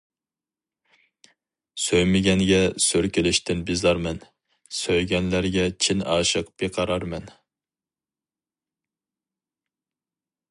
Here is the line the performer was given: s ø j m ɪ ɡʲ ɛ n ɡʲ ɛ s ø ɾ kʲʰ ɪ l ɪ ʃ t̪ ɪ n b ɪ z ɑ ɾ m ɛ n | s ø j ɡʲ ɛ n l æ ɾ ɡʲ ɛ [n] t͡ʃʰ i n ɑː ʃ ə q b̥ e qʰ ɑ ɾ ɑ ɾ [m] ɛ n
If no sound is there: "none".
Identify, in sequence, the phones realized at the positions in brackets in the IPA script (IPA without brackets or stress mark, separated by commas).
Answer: none, m